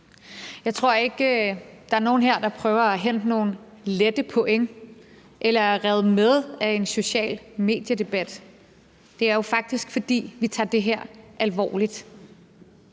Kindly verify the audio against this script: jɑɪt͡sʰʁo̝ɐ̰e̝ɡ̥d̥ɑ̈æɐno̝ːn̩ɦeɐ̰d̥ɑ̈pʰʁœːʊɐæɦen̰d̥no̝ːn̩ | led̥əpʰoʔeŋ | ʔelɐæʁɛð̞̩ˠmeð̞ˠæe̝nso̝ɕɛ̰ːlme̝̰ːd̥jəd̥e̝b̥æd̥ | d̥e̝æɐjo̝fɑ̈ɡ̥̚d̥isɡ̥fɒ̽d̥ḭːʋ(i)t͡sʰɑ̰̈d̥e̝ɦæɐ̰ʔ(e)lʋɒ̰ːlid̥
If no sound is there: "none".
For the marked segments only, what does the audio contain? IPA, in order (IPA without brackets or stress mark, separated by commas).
i, æ